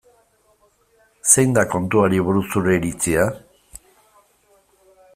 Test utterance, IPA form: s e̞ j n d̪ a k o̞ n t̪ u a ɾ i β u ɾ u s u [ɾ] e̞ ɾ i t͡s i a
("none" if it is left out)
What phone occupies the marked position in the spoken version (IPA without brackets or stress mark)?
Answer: ɾ